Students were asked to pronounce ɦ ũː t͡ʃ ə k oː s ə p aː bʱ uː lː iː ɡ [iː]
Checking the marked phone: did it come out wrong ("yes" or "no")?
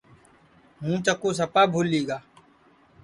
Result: yes